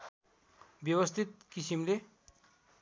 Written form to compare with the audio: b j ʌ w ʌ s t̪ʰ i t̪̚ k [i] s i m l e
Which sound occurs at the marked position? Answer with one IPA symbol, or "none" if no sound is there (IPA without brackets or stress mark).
i